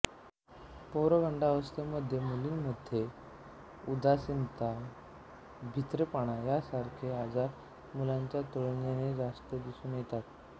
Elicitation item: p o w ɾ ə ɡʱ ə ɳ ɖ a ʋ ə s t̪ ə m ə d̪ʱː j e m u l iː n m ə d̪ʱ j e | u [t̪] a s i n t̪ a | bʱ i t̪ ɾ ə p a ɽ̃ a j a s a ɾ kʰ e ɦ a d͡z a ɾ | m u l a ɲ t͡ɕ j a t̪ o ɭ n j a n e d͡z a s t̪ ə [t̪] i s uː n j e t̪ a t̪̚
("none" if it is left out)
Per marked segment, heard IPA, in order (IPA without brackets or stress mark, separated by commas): d̪, d̪